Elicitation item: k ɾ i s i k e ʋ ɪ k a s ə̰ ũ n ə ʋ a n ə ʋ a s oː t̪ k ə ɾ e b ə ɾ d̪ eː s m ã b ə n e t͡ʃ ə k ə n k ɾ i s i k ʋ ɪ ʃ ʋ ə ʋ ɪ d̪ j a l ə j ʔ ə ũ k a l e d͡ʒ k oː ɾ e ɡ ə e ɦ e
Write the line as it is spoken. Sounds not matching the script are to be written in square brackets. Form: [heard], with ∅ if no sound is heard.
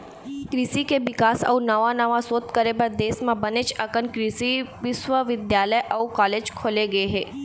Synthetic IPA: k ɾ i s i k e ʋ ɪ k a s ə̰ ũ n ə ʋ a n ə ʋ a s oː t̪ k ə ɾ e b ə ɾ d̪ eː s m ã b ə n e t͡ʃ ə k ə n k ɾ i s i [∅] ʋ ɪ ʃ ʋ ə ʋ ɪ d̪ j a l ə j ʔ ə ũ k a l e d͡ʒ [kʰ] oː [l] e ɡ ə e ɦ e